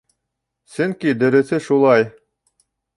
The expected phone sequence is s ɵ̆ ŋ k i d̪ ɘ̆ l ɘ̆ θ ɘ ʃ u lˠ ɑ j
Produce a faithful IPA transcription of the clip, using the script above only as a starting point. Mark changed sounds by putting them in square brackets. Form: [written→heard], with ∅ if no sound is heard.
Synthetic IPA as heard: s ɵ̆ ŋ k i d̪ ɘ̆ [l→ɾ] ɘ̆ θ ɘ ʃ u lˠ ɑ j